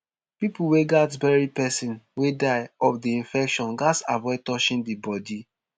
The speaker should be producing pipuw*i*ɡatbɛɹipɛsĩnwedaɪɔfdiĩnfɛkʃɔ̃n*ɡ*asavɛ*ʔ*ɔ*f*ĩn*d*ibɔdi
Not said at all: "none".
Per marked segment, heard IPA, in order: e, ɡ, t, ʃ, d

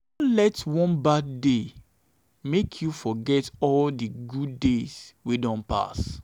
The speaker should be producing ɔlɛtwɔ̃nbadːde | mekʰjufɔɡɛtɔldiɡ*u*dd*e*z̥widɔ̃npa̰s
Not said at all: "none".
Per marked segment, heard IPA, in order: u, e

